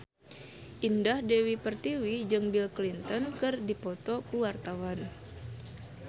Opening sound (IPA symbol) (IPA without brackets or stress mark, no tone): ʔ